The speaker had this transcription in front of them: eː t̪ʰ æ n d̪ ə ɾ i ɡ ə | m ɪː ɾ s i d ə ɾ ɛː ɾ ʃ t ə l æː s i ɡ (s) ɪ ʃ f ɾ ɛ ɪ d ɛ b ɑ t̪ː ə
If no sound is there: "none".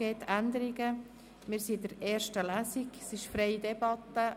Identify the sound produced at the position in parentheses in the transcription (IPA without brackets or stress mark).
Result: s